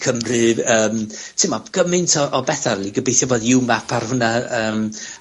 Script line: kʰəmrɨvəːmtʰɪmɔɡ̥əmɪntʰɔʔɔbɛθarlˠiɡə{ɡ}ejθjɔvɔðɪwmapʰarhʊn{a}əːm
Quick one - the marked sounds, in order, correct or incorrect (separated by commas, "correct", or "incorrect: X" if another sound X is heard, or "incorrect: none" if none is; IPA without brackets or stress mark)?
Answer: incorrect: b, correct